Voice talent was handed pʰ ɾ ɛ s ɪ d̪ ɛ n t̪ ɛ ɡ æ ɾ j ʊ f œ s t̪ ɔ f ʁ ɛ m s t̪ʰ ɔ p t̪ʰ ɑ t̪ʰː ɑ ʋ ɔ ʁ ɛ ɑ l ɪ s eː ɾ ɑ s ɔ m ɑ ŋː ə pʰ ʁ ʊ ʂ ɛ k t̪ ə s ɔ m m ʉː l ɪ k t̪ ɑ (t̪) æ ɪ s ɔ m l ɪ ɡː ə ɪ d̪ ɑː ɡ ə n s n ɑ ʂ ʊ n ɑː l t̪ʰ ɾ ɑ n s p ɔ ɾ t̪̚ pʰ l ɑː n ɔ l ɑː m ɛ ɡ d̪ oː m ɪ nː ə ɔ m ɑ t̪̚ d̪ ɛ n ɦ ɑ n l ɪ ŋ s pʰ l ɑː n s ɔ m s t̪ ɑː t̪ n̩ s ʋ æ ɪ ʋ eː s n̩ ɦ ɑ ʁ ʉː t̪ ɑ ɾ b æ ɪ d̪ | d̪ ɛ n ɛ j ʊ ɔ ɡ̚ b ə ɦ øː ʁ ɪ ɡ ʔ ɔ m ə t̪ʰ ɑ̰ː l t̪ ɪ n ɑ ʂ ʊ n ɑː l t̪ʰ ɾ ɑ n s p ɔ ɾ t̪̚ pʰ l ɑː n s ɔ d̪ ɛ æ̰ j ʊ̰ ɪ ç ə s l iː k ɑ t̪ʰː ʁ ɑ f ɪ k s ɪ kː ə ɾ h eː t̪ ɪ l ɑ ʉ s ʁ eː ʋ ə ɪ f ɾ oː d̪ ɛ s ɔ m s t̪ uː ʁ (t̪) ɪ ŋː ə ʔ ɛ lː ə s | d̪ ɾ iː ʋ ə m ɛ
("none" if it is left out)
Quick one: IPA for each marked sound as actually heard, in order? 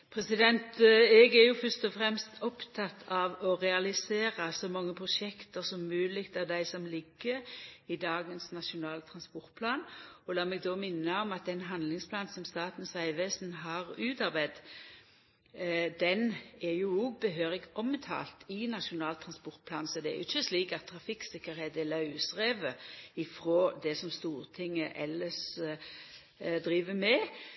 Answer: d̪, t̪ʰ

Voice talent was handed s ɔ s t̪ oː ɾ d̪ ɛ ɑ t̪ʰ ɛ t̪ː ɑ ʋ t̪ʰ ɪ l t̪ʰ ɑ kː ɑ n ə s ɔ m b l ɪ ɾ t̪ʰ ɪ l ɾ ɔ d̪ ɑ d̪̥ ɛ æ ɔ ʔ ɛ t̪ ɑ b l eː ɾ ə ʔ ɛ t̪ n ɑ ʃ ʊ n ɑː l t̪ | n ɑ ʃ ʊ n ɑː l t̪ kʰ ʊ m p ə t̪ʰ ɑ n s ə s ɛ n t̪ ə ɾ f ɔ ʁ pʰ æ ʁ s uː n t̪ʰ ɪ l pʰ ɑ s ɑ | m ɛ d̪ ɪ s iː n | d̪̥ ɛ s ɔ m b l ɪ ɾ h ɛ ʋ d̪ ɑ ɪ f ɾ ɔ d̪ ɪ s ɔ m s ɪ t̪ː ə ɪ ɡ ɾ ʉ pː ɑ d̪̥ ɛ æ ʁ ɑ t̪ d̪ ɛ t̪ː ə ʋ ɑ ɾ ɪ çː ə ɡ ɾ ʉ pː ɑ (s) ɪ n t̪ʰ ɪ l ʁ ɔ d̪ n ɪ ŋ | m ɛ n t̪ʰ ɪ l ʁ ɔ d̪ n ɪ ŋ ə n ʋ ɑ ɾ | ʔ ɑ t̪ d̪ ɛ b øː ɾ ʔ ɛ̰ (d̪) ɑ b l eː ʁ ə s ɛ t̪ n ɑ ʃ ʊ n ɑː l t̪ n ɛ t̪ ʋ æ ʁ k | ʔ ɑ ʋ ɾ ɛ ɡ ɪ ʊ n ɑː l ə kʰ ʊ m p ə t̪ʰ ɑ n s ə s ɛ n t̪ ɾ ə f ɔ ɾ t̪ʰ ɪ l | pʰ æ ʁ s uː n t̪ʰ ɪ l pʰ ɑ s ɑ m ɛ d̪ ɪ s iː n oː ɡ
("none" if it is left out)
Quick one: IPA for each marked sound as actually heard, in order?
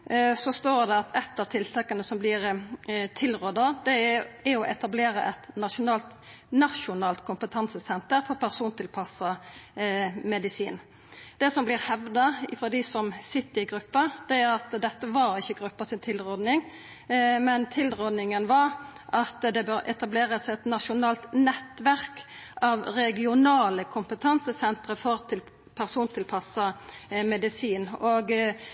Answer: s, t̪

